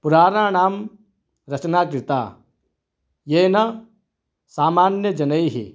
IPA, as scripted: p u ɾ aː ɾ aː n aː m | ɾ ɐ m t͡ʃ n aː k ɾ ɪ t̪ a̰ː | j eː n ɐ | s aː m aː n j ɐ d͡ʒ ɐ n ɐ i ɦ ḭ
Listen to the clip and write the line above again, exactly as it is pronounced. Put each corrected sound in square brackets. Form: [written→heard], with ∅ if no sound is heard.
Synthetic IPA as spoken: p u ɾ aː ɾ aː n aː m | ɾ ɐ [m→∅] t͡ʃ n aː k ɾ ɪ t̪ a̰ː | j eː n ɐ | s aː m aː n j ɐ d͡ʒ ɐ n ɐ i ɦ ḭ